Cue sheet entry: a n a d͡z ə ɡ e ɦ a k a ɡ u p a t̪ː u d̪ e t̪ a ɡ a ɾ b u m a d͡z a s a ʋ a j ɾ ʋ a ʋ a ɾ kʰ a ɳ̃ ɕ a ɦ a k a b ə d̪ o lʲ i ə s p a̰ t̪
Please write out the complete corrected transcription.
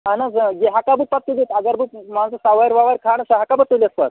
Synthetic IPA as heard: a n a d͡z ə ɡ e ɦ a k a b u p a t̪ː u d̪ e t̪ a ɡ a ɾ b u m a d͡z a s a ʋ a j ɾ ʋ a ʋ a ɾ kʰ a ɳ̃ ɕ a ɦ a k a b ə t̪ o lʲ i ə s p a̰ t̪